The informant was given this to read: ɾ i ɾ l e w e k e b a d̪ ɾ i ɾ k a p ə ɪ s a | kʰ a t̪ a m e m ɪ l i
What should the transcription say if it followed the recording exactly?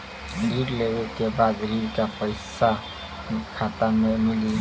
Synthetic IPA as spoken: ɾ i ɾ l e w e k e b a d̪ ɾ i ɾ k a p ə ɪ s a | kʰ a t̪ a m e m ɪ l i